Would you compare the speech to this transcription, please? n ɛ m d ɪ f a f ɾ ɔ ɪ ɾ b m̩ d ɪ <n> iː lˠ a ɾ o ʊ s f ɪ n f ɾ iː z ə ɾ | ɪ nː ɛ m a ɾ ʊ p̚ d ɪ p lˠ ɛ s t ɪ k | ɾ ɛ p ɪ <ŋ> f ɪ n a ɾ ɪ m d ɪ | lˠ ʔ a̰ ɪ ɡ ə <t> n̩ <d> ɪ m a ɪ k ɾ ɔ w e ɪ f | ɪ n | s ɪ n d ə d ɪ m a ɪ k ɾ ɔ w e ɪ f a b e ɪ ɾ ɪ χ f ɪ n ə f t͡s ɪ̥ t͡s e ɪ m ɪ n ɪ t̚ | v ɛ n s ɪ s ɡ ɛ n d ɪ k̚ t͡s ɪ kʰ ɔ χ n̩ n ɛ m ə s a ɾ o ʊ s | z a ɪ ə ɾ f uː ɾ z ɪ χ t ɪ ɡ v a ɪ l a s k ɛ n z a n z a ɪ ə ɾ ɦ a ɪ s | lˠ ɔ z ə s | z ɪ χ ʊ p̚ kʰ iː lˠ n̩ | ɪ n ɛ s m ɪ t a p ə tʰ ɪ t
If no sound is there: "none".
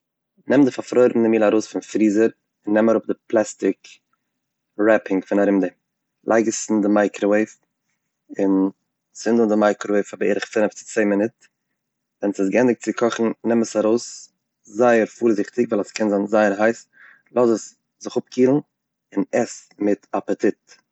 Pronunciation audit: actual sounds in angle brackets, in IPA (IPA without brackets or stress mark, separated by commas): m, ŋ, s, d